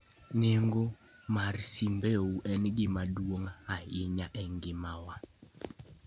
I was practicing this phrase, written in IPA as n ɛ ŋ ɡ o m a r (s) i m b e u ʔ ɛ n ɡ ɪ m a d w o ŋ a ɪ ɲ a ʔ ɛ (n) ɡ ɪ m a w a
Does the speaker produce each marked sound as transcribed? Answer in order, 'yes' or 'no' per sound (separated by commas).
yes, no